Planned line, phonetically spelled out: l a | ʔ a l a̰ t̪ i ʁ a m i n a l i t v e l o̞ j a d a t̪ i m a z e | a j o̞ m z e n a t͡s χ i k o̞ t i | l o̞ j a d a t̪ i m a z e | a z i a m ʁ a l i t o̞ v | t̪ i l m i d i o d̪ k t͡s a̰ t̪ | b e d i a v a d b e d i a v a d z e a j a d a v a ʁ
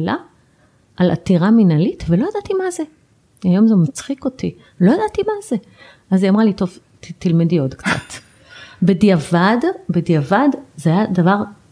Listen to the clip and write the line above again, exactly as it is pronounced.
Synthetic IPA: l a | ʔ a l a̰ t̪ i ʁ a m i n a l i t v e l o̞ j a d a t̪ i m a z e | a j o̞ m z e m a t͡s χ i k o̞ t i | l o̞ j a d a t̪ i m a z e | a z i a m ʁ a l i t o̞ v | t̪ i l m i d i o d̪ k t͡s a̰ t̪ | b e d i a v a d b e d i a v a d z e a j a d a v a ʁ